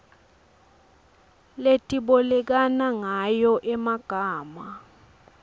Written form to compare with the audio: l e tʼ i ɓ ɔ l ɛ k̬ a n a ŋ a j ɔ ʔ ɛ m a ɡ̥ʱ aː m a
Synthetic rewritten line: l e tʼ i ɓ ɔ l ɛ k̬ a n a ŋ a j ɔ ʔ ɛ m a ɡ̥ʱ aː m a